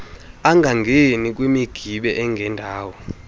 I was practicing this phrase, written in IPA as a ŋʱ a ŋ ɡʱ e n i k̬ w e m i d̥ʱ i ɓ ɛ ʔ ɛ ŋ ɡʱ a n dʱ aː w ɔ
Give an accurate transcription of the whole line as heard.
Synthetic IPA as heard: a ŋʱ a ŋ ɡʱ e n i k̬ w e m i ɡ̥ʱ i ɓ ɛ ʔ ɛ ŋ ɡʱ ɛ n dʱ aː w ɔ